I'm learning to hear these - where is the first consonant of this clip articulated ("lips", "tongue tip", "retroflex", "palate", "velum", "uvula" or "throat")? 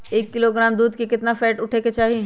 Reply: velum